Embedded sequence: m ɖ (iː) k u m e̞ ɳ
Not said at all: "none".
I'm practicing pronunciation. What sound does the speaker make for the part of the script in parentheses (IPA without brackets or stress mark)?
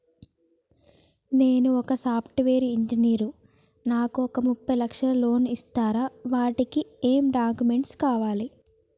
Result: aː